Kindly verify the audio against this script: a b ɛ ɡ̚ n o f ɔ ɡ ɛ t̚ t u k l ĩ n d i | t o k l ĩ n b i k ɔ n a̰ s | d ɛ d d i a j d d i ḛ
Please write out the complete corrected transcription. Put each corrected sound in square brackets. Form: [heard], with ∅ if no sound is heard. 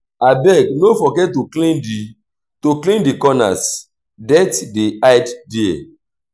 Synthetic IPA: a b ɛ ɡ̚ n o f ɔ ɡ ɛ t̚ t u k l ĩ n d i | t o k l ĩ n [d] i k ɔ n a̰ s | d ɛ [t] d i a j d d i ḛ